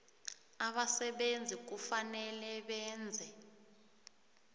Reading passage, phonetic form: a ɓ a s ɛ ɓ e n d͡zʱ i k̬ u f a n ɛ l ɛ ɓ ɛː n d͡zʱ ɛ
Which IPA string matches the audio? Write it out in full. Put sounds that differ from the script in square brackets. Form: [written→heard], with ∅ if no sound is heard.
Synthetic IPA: a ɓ a s ɛ ɓ e n d͡zʱ i k̬ u f a n ɛ l ɛ ɓ ɛː n d͡zʱ ɛ